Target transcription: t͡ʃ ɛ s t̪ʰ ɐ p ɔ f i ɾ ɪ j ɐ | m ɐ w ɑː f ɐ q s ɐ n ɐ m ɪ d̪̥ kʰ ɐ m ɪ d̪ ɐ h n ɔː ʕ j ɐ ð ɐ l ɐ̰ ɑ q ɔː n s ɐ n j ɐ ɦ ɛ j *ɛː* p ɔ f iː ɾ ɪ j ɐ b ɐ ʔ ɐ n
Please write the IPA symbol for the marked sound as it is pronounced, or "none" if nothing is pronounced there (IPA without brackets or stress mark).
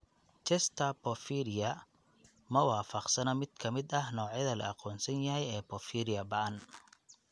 ɛː